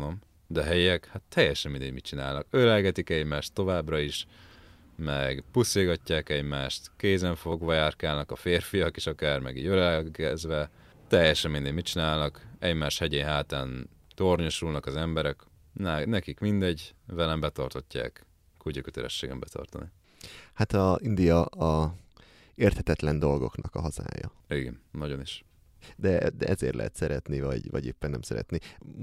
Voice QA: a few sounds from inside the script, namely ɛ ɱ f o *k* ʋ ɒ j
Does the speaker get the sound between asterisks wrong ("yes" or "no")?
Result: yes